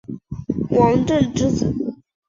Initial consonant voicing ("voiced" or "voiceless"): voiced